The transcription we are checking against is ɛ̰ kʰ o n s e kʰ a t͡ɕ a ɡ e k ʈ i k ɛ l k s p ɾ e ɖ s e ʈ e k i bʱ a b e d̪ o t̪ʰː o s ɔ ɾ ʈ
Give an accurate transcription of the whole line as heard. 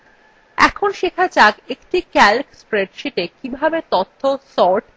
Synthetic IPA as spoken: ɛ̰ kʰ o n ʃ e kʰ a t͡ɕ a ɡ e k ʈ i k ɛ l k s p ɾ e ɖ ʃ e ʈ e k i bʱ a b e t̪ o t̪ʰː o s ɔ ɾ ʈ